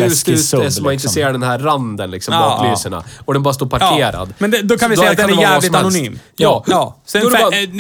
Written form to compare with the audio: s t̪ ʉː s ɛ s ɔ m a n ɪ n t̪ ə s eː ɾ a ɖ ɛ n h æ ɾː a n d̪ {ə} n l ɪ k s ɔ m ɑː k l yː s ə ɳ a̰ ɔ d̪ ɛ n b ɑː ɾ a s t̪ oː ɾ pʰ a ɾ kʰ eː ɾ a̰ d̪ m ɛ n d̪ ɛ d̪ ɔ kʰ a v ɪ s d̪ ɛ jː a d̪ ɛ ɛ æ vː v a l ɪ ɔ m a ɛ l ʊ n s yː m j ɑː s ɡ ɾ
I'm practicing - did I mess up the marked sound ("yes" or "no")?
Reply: no